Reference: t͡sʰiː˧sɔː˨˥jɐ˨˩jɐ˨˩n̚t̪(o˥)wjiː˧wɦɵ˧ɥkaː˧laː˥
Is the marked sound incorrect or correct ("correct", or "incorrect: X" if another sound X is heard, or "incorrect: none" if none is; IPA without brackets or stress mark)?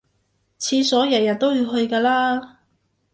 correct